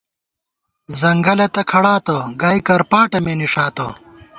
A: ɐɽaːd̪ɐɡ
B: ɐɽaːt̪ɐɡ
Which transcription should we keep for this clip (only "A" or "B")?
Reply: B